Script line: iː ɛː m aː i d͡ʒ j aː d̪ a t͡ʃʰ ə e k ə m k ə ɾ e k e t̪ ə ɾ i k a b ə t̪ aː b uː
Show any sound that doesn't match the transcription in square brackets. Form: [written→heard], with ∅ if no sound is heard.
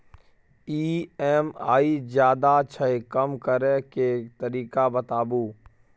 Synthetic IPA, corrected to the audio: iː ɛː m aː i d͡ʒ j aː d̪ a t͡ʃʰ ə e k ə m k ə ɾ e k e t̪ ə ɾ [i→iː] k a b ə t̪ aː b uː